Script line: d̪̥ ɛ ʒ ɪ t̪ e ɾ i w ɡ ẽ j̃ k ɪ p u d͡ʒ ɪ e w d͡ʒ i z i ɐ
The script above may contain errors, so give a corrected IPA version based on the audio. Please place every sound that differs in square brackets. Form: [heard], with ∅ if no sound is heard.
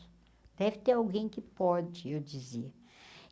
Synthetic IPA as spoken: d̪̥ ɛ [v] ɪ t̪ e ɾ [a] w ɡ ẽ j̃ k ɪ p [ɔ] d͡ʒ ɪ e w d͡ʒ i z i ɐ